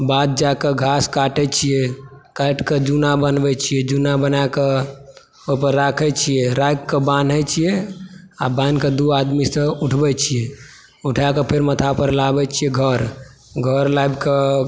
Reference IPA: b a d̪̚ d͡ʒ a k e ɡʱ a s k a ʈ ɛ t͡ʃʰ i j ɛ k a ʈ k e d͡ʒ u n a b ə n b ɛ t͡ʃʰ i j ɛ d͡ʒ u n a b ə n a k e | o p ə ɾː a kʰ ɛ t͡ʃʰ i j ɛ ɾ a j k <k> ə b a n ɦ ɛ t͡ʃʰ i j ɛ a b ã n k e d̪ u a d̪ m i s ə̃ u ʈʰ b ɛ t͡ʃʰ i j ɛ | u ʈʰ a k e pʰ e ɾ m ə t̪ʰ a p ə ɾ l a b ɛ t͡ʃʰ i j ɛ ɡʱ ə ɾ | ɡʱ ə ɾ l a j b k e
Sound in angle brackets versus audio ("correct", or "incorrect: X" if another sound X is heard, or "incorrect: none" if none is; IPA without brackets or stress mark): correct